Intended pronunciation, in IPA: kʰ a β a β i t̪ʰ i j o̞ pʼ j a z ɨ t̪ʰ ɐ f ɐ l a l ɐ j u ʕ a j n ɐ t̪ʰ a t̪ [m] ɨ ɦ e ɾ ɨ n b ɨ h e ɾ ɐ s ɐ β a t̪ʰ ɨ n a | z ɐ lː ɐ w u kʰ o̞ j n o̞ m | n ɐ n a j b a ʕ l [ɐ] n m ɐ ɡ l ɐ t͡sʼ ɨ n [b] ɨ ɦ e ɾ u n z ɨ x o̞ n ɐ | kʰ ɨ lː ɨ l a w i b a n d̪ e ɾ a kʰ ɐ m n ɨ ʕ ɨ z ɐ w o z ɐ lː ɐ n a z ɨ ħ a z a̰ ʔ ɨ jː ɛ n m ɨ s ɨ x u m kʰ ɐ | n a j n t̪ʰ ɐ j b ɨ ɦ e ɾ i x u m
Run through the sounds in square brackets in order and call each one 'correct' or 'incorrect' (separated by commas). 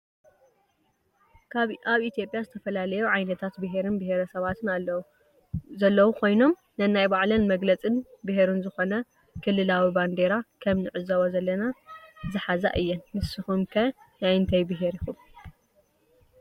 incorrect, correct, correct